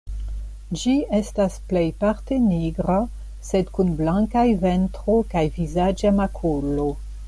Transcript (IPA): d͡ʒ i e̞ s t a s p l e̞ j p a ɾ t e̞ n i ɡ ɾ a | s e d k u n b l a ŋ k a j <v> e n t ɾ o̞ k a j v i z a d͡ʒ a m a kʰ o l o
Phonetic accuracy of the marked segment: correct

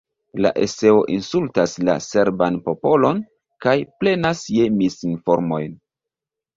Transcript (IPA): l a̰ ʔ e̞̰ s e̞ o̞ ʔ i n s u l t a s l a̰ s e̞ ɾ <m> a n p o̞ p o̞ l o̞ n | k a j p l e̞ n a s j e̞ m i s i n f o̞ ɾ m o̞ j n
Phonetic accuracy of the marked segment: incorrect: b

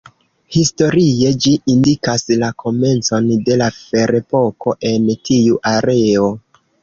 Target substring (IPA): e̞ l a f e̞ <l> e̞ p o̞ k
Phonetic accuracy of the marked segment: incorrect: ɾ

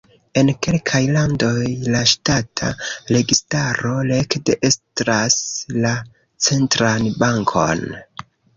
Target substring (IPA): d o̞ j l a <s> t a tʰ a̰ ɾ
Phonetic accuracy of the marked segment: incorrect: ʃ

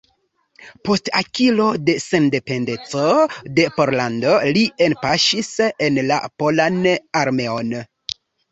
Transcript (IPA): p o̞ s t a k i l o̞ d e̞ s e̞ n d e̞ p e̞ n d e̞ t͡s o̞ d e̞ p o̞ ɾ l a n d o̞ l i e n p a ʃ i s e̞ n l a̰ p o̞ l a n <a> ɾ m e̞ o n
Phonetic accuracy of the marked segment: correct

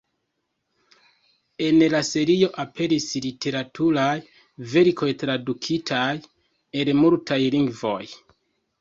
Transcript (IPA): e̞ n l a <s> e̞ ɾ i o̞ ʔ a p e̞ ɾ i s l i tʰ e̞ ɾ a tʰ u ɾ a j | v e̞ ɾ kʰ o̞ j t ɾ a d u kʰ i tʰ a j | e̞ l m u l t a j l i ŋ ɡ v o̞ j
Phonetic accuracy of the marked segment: correct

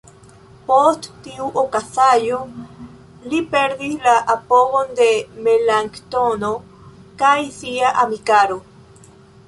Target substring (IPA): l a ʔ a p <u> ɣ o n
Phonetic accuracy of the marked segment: incorrect: o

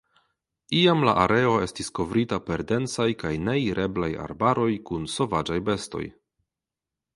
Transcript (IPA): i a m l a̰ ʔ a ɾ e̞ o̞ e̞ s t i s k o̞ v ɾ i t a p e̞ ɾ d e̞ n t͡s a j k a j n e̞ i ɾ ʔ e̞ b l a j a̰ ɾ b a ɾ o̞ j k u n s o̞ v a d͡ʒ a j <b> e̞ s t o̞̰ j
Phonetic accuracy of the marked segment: correct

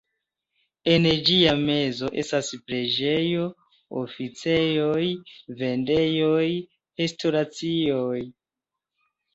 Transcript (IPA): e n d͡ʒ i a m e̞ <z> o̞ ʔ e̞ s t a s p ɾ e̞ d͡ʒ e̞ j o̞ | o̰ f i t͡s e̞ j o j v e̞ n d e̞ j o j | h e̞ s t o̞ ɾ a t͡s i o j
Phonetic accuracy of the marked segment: correct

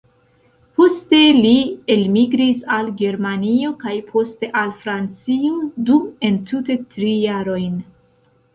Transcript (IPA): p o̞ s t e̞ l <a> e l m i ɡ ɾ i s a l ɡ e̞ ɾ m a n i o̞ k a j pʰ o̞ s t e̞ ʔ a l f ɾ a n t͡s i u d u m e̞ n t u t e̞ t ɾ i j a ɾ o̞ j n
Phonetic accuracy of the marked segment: incorrect: i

